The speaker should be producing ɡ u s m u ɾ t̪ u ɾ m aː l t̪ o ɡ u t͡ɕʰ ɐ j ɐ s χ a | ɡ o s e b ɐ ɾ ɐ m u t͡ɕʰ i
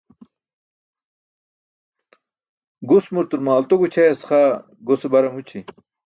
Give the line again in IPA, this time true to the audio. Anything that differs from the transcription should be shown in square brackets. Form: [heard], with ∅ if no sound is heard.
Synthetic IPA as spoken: ɡ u s m u ɾ t̪ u ɾ m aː l t̪ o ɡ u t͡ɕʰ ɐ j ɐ s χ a | ɡ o s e b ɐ ɾ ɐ m u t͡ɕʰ i